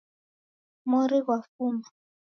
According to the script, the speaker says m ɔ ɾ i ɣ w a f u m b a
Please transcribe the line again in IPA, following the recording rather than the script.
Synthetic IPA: m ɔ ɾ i ɣ w a f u m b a